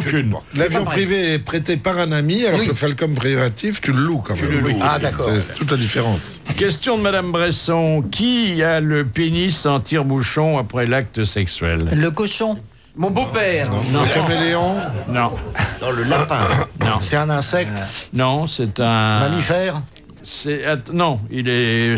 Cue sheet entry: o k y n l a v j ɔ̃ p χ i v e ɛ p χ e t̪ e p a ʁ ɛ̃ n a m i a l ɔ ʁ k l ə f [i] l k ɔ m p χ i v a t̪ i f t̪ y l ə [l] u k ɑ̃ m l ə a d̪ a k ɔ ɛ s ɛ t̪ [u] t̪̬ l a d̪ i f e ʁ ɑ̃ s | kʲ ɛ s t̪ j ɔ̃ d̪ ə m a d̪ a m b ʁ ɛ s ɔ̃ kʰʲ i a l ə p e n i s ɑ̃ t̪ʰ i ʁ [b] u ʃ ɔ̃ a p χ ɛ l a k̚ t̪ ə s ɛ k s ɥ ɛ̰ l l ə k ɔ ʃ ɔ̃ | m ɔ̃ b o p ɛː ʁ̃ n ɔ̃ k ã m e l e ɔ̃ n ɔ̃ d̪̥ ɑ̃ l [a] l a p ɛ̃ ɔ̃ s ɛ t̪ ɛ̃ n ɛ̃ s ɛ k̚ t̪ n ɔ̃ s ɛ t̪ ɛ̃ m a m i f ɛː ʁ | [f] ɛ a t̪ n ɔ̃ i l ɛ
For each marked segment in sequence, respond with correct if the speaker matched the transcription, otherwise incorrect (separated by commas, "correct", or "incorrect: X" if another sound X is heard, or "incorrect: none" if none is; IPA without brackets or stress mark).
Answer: incorrect: a, correct, correct, correct, incorrect: ə, incorrect: s